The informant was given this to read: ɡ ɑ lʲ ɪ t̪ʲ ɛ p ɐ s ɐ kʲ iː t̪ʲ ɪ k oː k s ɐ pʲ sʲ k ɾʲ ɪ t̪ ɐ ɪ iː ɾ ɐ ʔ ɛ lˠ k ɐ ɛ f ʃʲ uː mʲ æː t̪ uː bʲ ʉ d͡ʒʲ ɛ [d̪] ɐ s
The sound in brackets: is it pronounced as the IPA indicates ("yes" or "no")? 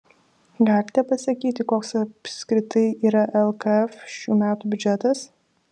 no